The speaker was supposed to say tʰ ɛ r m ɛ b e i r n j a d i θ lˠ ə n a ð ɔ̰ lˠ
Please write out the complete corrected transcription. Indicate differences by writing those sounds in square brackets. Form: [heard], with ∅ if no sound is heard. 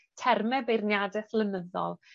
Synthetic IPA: tʰ ɛ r m ɛ b e [j] r n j a d [ɛ] θ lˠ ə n [ə] ð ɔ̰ lˠ